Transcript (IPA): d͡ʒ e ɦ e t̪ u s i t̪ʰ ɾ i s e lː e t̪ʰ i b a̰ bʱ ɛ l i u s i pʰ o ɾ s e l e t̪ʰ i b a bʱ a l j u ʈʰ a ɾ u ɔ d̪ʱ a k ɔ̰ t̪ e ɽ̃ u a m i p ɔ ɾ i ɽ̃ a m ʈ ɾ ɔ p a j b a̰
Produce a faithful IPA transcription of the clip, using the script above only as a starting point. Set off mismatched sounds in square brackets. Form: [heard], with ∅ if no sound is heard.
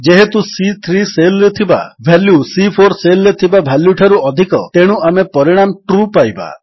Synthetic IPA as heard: d͡ʒ e ɦ e t̪ u s i t̪ʰ ɾ i s e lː e t̪ʰ i b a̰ bʱ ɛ l [j] u s i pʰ o ɾ s e l e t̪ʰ i b a bʱ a l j u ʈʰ a ɾ u ɔ d̪ʱ [i] k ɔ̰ t̪ e ɽ̃ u a m [e] p ɔ ɾ i ɽ̃ a m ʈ ɾ [u] p a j b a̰